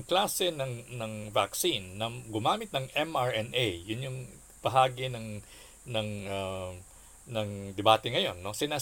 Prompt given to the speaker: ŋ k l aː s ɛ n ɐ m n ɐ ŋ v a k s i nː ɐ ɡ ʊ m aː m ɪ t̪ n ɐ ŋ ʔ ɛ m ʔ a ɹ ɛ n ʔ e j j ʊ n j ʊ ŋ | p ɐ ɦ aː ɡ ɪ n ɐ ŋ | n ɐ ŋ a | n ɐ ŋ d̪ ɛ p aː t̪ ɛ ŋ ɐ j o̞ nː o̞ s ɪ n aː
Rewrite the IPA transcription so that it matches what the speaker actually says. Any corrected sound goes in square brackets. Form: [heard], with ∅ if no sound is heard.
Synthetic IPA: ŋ k l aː s ɛ n ɐ [ŋ] n ɐ ŋ v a k s i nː ɐ ɡ ʊ m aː m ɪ t̪ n ɐ ŋ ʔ ɛ m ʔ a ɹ ɛ n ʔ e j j ʊ n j ʊ ŋ | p ɐ ɦ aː ɡ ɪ n ɐ ŋ | n ɐ ŋ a | n ɐ ŋ d̪ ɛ [b] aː t̪ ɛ ŋ ɐ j o̞ nː o̞ s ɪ n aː